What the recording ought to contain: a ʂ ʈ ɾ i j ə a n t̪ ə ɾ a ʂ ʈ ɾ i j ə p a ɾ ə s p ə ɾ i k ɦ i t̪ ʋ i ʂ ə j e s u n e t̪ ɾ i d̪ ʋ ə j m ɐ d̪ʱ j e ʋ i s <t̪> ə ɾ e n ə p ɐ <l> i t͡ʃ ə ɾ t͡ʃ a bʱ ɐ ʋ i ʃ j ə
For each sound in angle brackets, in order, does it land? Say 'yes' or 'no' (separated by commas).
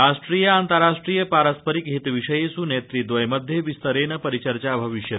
yes, no